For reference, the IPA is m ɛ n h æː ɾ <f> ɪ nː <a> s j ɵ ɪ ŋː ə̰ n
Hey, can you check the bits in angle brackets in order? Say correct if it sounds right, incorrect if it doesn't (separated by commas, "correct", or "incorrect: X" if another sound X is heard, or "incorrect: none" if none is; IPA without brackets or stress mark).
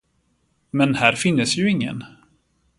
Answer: correct, incorrect: ə